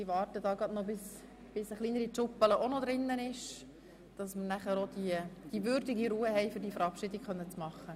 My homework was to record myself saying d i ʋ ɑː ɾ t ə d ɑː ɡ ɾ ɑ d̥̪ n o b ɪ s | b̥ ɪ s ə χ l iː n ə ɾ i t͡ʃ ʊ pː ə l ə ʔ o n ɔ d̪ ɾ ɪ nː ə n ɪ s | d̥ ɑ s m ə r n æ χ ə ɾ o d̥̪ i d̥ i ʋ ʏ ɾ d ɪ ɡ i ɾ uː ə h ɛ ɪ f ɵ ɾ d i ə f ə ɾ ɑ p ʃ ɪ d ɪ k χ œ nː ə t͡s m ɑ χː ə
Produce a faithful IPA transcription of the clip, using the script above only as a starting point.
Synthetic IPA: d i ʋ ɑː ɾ t ə d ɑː ɡ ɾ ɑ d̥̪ n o b ɪ s | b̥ ɪ s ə χ l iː n ə ɾ i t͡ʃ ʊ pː ə l ə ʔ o n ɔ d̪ ɾ ɪ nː ə n ɪ ʃ | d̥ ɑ s m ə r n æ χ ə ɾ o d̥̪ i d̥ i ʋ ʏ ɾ d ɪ ɡ i ɾ uː ə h ɛ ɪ f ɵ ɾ d i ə f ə ɾ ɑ p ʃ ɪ d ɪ k χ œ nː ə t͡s m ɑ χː ə